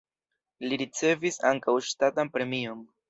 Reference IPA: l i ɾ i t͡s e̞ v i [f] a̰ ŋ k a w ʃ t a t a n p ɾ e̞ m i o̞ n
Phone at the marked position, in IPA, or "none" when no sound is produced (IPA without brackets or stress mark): s